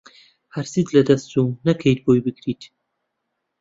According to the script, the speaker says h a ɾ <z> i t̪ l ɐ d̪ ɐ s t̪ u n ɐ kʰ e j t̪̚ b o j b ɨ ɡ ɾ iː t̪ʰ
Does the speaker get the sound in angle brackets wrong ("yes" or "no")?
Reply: yes